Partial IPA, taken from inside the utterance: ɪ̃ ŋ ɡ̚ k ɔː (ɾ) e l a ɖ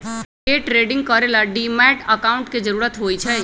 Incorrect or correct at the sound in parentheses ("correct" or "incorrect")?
correct